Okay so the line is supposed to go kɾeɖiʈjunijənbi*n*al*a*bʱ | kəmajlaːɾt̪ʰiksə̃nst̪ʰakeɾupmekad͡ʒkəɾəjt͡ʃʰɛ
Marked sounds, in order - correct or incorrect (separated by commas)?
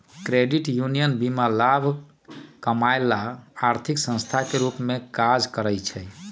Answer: incorrect, correct